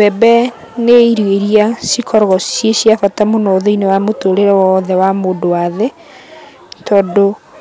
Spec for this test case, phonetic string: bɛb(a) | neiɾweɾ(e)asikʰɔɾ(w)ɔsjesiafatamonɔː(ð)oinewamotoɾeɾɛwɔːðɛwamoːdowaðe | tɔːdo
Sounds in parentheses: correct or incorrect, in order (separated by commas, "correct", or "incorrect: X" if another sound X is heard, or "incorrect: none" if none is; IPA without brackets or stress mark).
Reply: incorrect: ɛ, incorrect: i, incorrect: ɣ, correct